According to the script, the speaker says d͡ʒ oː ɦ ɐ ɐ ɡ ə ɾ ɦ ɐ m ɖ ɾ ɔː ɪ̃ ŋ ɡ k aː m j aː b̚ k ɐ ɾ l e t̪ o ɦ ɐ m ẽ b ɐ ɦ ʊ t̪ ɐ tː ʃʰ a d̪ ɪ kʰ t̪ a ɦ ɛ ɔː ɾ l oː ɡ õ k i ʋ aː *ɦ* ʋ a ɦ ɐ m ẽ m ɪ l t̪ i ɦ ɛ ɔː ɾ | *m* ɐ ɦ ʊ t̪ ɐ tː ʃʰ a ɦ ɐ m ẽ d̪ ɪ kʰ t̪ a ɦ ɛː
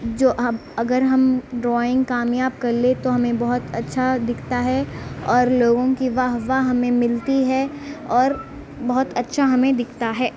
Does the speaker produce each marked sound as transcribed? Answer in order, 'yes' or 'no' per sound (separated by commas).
yes, no